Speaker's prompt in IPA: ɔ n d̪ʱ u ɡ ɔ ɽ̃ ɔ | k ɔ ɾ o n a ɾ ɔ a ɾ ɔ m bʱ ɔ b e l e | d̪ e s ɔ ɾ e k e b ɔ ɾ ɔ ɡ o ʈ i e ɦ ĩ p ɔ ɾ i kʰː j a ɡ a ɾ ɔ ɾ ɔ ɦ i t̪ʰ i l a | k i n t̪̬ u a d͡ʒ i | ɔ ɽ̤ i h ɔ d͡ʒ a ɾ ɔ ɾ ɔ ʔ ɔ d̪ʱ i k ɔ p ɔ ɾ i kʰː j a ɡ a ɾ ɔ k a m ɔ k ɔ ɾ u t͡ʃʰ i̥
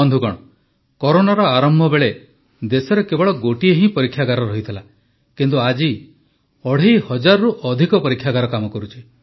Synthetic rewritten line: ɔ n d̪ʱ u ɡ ɔ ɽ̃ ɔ | k ɔ ɾ o n a ɾ ɔ a ɾ ɔ m bʱ ɔ b e ɭ e | d̪ e s ɔ ɾ e k e b ɔ ɭ ɔ ɡ o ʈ i e ɦ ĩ p ɔ ɾ i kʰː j a ɡ a ɾ ɔ ɾ ɔ ɦ i t̪ʰ i l a | k i n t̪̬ u a d͡ʒ i | ɔ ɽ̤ i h ɔ d͡ʒ a ɾ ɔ ɾ u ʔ ɔ d̪ʱ i k ɔ p ɔ ɾ i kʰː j a ɡ a ɾ ɔ k a m ɔ k ɔ ɾ u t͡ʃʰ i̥

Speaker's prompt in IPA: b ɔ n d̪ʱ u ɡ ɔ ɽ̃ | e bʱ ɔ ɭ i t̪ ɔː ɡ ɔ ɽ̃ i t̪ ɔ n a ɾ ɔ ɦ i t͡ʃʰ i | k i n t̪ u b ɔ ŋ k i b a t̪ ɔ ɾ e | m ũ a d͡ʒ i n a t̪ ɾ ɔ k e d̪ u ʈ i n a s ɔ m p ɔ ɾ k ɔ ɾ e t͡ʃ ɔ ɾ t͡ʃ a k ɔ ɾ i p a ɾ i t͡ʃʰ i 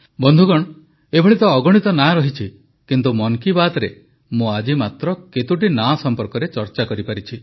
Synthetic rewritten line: b ɔ n d̪ʱ u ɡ ɔ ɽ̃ | e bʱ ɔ ɭ i t̪ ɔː ɡ ɔ ɽ̃ i t̪ ɔ n a ɾ ɔ ɦ i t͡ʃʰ i | k i n t̪ u m ɔ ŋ k i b a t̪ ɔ ɾ e | m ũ a d͡ʒ i m a t̪ ɾ ɔ k e t̪ u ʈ i n a s ɔ m p ɔ ɾ k ɔ ɾ e t͡ʃ ɔ ɾ t͡ʃ a k ɔ ɾ i p a ɾ i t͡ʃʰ i

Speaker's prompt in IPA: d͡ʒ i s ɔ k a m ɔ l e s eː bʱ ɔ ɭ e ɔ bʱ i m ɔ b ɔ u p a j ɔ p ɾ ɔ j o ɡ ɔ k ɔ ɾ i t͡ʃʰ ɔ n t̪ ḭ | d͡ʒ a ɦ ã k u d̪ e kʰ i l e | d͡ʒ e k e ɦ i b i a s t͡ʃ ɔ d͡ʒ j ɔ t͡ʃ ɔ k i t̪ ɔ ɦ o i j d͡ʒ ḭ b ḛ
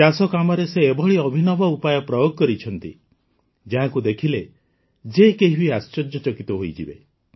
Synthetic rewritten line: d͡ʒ a s ɔ k a m ɔ ɾ e s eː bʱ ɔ ɭ i ɔ bʱ i n ɔ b ɔ u p a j ɔ p ɾ ɔ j o ɡ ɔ k ɔ ɾ i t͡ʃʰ ɔ n t̪ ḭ | d͡ʒ a ɦ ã k u d̪ e kʰ i l e | d͡ʒ e k e ɦ i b i a s t͡ʃ ɔ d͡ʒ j ɔ t͡ʃ ɔ k i t̪ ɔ ɦ o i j d͡ʒ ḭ b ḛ

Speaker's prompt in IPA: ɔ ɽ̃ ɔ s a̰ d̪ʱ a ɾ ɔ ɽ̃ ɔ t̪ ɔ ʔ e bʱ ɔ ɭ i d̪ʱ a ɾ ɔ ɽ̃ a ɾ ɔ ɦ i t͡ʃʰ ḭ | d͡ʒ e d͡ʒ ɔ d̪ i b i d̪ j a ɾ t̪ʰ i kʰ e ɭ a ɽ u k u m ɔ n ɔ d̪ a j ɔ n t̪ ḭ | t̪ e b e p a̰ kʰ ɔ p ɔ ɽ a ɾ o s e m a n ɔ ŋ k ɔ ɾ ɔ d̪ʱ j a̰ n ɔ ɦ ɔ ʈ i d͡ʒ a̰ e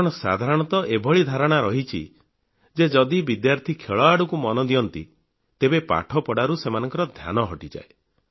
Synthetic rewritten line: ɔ ɽ̃ ɔ s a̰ d̪ʱ a ɾ ɔ ɽ̃ ɔ t̪ ɔ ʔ e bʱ ɔ ɭ i d̪ʱ a ɾ ɔ ɽ̃ a ɾ ɔ ɦ i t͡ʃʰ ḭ | d͡ʒ e d͡ʒ ɔ d̪ i b i d̪ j a ɾ t̪ʰ i kʰ e ɭ a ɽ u k u m ɔ n ɔ d̪ i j ɔ n t̪ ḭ | t̪ e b e p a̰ ʈʰ ɔ p ɔ ɽ a ɾ u s e m a n ɔ ŋ k ɔ ɾ ɔ d̪ʱ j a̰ n ɔ ɦ ɔ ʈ i d͡ʒ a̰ e

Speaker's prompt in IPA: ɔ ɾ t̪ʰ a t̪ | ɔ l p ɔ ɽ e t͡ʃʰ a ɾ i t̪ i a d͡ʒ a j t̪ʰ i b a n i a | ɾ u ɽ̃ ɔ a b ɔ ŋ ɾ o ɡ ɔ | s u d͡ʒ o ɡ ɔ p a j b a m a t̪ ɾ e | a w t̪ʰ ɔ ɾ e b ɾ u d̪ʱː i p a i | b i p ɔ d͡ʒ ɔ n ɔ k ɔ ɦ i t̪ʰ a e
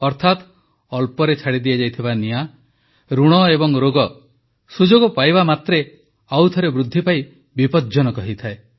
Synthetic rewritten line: ɔ ɾ t̪ʰ a t̪ | ɔ l p ɔ ɾ e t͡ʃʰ a ɽ i d̪ i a d͡ʒ a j t̪ʰ i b a n i a | ɾ u ɽ̃ ɔ e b ɔ ŋ ɾ o ɡ ɔ | s u d͡ʒ o ɡ ɔ p a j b a m a t̪ ɾ e | a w t̪ʰ ɔ ɾ e b ɾ u d̪ʱː i p a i | b i p ɔ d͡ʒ ɔ n ɔ k ɔ ɦ i t̪ʰ a e

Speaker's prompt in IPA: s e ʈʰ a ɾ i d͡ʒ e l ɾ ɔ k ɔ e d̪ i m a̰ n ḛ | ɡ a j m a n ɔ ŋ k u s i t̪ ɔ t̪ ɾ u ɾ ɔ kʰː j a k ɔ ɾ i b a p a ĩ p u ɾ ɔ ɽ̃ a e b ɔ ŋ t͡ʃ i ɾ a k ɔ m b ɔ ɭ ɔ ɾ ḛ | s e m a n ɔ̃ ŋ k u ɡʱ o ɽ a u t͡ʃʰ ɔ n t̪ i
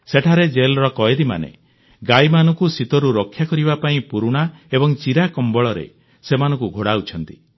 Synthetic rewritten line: s e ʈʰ a ɾ e d͡ʒ e l ɾ ɔ k ɔ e d̪ i m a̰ n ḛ | ɡ a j m a n ɔ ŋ k u s i t̪ ɔ ɾ u ɾ ɔ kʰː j a k ɔ ɾ i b a p a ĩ p u ɾ u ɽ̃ a e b ɔ ŋ t͡ʃ i ɾ a k ɔ m b ɔ ɭ ɔ ɾ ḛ | s e m a n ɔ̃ ŋ k u ɡʱ o ɽ a u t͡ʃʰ ɔ n t̪ i

